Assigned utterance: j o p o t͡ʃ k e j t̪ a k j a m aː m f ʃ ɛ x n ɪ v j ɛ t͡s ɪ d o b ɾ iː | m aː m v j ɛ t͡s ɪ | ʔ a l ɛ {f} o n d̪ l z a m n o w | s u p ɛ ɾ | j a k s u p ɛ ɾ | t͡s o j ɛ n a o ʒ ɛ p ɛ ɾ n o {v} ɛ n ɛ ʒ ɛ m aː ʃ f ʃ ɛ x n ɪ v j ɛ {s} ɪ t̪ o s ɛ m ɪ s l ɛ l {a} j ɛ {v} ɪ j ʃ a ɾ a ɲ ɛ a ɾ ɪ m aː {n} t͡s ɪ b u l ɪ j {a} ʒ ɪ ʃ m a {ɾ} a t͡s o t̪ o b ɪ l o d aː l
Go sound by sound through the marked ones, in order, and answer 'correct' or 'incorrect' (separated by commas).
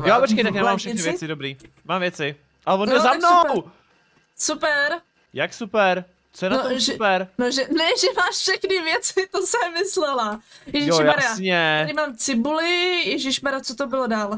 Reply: incorrect, incorrect, incorrect, correct, incorrect, incorrect, incorrect, correct